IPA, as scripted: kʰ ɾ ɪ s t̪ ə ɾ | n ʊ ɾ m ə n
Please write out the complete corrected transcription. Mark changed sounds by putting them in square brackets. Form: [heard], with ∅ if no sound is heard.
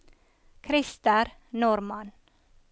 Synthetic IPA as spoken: kʰ ɾ ɪ s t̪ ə ɾ | n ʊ ɾ m [ɑ] n